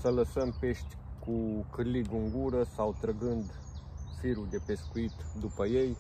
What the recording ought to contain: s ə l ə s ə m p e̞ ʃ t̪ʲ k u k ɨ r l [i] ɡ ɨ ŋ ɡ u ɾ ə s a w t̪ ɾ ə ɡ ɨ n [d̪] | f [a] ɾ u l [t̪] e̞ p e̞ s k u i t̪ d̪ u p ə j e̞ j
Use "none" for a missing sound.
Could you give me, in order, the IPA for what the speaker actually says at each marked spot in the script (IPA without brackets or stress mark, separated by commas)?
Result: i, d̪, i, d̪